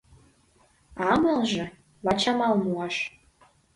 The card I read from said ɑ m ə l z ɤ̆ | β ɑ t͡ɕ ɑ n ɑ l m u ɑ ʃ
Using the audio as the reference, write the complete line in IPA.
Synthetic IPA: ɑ m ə l ʒ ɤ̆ | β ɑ t͡ɕ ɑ m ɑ l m u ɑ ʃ